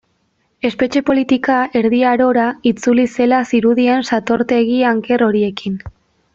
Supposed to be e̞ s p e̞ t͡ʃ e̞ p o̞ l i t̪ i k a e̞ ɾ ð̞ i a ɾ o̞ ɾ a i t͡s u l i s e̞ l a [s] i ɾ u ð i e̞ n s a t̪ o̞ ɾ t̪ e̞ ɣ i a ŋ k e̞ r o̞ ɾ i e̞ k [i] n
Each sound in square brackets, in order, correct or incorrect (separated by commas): correct, correct